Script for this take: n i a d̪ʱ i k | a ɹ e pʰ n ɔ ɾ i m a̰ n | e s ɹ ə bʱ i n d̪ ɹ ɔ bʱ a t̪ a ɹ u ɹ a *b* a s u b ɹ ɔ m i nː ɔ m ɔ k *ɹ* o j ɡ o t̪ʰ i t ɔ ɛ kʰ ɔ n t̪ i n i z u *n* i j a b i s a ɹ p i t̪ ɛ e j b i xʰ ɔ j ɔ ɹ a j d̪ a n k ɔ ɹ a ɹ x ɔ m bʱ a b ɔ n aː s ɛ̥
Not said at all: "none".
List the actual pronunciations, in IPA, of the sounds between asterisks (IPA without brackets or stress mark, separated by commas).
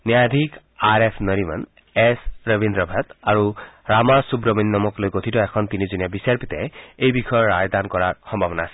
m, l, n